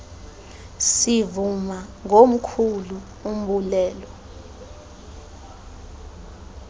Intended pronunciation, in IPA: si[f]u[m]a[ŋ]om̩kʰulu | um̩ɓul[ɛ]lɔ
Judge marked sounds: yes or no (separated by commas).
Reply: no, yes, yes, no